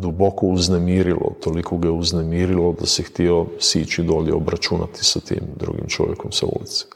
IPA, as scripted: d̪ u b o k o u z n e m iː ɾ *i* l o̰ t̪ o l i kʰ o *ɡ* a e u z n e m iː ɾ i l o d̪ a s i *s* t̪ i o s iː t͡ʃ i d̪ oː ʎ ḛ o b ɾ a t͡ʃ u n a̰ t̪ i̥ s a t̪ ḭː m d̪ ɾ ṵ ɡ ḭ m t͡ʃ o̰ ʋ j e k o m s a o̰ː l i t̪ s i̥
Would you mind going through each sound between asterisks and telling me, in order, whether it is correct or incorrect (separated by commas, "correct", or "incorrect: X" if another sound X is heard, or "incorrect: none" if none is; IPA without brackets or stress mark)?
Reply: correct, correct, incorrect: x